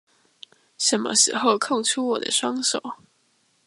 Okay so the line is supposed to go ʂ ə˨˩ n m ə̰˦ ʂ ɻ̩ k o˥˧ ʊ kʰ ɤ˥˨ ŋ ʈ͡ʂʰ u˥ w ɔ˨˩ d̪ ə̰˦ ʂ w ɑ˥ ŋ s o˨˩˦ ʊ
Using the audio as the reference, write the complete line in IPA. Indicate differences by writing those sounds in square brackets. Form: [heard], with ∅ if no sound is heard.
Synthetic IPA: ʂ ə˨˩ n m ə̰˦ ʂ ɻ̩ [x] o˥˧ ʊ kʰ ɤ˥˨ ŋ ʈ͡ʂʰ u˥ w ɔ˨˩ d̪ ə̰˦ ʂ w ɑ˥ ŋ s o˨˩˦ ʊ